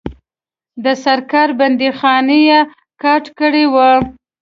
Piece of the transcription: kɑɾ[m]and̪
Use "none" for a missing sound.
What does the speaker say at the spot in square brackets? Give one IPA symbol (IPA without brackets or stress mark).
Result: b